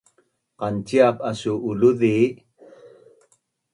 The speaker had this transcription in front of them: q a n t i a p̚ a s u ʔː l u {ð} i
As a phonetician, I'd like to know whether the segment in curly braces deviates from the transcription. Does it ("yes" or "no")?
no